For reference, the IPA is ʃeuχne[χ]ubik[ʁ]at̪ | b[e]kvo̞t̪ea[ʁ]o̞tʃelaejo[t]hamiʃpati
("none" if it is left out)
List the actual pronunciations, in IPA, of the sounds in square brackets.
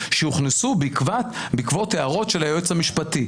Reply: s, v, i, ʁ, t͡s

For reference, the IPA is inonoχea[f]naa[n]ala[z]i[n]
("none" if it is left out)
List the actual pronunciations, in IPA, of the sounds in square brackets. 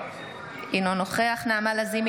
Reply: χ, m, z, m

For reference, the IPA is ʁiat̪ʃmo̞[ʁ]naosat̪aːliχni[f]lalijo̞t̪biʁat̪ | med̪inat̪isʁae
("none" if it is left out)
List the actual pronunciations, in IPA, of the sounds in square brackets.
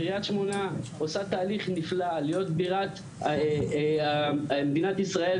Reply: none, f

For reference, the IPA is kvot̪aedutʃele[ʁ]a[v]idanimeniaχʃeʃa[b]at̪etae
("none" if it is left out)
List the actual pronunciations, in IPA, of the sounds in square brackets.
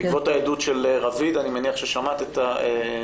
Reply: ʁ, v, m

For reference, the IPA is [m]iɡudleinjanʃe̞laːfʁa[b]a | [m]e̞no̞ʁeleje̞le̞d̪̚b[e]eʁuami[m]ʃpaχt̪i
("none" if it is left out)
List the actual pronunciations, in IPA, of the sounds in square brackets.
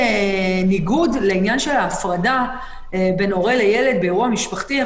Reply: n, d, b, e, none

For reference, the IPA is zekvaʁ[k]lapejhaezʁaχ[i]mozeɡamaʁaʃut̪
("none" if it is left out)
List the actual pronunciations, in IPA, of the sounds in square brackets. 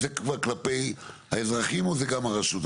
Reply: k, i

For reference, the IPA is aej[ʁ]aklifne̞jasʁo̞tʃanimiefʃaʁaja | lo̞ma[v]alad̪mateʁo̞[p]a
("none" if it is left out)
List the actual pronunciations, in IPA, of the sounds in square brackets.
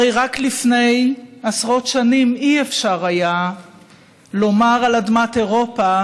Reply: ʁ, ʁ, p

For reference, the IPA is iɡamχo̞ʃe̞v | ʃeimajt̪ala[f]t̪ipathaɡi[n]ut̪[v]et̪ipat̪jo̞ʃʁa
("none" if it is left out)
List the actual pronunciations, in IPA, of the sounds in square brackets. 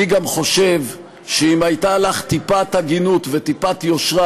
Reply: χ, n, v

